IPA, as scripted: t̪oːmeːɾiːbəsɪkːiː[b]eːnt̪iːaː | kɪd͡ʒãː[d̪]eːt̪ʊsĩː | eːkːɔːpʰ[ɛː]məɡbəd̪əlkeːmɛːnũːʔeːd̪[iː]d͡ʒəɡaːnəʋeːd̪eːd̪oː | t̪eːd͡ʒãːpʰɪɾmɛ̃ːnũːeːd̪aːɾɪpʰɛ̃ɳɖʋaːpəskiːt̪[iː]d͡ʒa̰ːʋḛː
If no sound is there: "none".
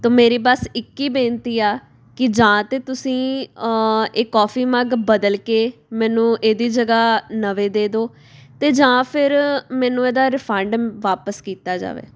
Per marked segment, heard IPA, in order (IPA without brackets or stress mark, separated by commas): b, t̪, iː, iː, aː